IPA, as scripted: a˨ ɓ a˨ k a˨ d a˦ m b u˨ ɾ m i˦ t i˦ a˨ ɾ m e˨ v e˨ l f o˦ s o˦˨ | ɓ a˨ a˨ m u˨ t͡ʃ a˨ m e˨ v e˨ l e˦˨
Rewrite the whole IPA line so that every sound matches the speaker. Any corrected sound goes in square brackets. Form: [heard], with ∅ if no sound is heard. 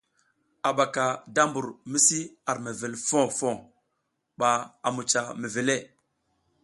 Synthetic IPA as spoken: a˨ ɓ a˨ k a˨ d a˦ m b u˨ ɾ m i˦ [s] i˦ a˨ ɾ m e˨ v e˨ l f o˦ [f] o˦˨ | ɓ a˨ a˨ m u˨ t͡ʃ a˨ m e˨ v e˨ l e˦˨